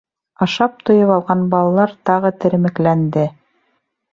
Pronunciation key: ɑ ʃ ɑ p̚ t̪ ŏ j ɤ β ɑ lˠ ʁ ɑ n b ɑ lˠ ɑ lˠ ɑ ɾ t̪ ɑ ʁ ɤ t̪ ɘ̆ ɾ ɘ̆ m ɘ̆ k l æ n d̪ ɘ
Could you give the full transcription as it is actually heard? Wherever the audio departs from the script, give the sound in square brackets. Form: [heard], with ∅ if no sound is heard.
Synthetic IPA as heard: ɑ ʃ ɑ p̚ t̪ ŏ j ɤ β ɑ lˠ ʁ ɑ n b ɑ lˠ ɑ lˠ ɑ ɾ t̪ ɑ ʁ ɤ t̪ ɘ̆ ɾ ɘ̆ m ɘ̆ k l æ n d̪ ɘ

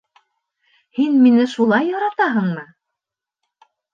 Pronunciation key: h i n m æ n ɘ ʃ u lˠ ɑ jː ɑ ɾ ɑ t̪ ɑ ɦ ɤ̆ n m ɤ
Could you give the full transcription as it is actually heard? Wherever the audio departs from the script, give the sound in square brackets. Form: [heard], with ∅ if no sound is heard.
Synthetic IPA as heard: h i n m [i] n ɘ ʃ u lˠ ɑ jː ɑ ɾ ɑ t̪ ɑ ɦ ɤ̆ [ɴ] m ɤ

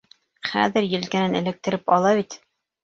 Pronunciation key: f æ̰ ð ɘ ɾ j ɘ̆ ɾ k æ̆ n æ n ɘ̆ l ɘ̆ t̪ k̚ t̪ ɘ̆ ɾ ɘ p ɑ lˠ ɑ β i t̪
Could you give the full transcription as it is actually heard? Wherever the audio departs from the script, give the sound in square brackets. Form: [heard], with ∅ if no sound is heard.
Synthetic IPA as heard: [χ] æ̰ ð ɘ ɾ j ɘ̆ [l] k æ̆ n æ n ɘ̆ l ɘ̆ [∅] k̚ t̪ ɘ̆ ɾ ɘ p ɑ lˠ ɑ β i t̪

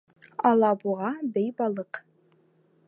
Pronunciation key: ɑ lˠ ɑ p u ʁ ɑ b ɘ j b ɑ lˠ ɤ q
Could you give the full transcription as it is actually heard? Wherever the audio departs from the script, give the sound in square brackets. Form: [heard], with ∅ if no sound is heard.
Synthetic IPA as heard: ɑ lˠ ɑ [b] u ʁ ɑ b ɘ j b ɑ lˠ ɤ q

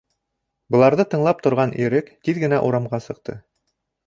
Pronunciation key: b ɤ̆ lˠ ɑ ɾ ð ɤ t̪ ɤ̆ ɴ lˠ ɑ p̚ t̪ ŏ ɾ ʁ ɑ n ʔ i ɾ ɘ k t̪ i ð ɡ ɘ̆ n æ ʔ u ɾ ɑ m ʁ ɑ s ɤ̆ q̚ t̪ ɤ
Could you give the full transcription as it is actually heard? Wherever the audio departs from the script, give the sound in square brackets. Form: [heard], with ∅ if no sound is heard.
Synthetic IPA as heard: b ɤ̆ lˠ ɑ ɾ ð ɤ t̪ ɤ̆ ɴ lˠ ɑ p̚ t̪ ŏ ɾ ʁ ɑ n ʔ i ɾ ɘ k t̪ i ð ɡ ɘ̆ n æ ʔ u ɾ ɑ m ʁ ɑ s ɤ̆ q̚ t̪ ɤ

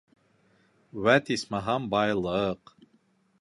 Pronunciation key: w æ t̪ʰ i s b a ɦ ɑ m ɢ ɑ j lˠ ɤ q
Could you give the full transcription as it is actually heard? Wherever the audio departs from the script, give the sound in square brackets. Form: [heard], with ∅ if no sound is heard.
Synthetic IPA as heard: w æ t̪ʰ i s [m] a ɦ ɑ m [b] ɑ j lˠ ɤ q

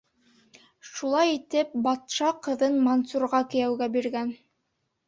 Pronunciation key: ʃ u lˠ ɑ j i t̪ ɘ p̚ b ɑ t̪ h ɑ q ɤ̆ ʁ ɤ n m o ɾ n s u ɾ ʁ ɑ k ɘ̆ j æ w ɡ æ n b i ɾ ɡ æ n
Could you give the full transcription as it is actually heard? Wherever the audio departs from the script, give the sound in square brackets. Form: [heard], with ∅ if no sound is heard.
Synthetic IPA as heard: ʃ u lˠ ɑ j i t̪ ɘ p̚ b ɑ t̪ [ʃ] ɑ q ɤ̆ [ð] ɤ n m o [∅] n s u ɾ ʁ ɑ k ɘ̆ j æ w ɡ æ [∅] b i ɾ ɡ æ n

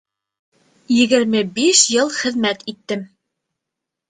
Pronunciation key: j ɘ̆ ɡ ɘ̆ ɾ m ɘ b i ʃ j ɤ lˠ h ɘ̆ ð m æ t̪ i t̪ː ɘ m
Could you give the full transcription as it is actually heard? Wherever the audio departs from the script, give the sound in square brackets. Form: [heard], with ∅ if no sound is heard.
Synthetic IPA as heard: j ɘ̆ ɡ ɘ̆ ɾ m ɘ b i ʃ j ɤ lˠ [χ] ɘ̆ ð m æ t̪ i t̪ː ɘ m

